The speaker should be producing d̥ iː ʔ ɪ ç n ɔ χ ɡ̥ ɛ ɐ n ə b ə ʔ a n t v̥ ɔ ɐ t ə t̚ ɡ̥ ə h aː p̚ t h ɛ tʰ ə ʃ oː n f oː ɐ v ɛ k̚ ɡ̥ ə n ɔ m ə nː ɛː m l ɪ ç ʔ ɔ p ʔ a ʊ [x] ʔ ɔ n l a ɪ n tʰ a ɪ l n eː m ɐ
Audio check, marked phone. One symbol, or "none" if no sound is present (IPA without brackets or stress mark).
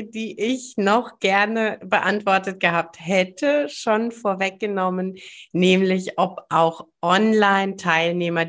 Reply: x